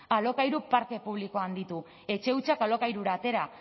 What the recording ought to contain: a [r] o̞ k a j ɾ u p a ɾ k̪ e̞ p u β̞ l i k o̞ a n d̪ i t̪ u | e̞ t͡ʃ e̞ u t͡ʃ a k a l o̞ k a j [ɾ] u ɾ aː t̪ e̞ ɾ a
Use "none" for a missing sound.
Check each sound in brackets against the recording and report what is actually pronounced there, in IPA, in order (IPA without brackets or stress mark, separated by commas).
l, ɾ